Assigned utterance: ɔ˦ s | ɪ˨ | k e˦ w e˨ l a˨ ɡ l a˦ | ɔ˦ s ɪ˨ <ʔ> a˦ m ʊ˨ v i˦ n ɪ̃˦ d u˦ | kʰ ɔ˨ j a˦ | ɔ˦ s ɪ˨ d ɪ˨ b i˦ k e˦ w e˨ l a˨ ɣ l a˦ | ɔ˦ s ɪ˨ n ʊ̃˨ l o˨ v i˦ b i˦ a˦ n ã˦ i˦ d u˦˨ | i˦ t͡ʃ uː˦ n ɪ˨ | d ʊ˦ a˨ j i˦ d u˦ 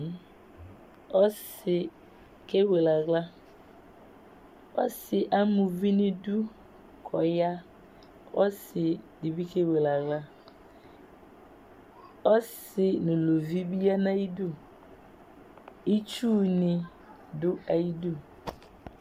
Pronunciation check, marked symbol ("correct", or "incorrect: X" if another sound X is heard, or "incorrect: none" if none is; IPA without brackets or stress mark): correct